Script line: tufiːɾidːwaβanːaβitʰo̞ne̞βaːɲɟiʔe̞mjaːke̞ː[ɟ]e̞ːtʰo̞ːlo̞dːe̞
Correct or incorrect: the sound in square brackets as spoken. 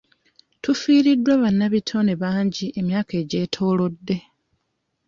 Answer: correct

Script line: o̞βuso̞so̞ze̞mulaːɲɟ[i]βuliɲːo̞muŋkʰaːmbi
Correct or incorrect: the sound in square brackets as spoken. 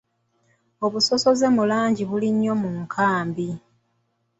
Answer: correct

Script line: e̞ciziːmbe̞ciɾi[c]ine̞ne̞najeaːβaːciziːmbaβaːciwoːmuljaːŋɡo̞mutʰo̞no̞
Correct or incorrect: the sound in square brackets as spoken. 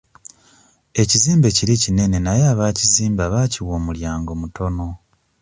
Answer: correct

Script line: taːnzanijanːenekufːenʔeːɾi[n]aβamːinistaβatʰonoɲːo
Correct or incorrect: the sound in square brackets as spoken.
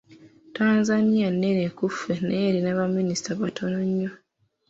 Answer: correct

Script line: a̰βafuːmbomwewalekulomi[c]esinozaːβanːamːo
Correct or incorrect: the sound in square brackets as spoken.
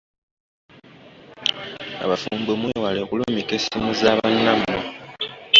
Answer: incorrect: k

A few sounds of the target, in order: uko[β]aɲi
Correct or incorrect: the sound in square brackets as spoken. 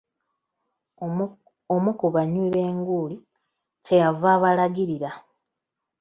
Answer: correct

